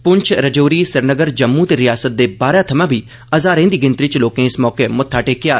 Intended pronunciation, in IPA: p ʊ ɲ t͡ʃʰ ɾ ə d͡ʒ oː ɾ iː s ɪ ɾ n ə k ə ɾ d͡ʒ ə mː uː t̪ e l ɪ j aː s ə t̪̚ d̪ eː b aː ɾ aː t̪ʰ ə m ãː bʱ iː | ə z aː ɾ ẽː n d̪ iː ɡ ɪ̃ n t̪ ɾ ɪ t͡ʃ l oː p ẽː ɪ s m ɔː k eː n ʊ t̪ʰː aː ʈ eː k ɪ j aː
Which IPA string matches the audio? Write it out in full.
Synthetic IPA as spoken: p ʊ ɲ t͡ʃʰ ɾ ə d͡ʒ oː ɾ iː s ɪ ɾ n ə ɡ ə ɾ d͡ʒ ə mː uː t̪ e ɾ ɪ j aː s ə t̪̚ d̪ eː b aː ɾ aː t̪ʰ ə m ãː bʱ iː | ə z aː ɾ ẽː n d̪ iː ɡ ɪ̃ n t̪ ɾ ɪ t͡ʃ l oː k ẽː ɪ s m ɔː k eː m ʊ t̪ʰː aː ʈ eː k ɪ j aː